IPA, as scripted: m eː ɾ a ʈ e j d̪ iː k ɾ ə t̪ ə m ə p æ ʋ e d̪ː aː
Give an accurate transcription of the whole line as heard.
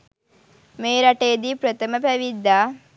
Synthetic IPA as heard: m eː ɾ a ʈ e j d̪ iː p ɾ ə t̪ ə m ə p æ ʋ i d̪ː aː